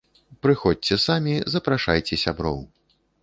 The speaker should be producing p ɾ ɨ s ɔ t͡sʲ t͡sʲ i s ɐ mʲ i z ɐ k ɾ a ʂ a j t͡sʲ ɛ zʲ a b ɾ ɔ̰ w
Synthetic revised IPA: p ɾ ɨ x ɔ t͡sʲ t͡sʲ ɛ s a mʲ i z ɐ p ɾ a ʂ a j t͡sʲ ɛ sʲ a b ɾ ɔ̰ w